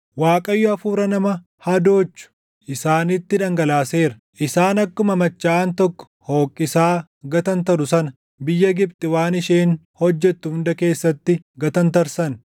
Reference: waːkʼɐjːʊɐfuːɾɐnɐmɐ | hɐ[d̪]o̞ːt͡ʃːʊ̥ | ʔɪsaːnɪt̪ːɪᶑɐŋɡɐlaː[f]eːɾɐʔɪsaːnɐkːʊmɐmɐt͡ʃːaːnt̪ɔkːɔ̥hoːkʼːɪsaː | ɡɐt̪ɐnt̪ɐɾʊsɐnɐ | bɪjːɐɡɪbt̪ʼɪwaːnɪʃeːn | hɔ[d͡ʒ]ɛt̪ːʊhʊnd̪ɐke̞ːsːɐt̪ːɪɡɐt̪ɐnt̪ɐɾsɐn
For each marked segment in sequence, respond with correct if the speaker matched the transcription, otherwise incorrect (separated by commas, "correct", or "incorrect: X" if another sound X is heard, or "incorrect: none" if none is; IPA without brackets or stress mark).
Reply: correct, incorrect: s, incorrect: d͡ʒː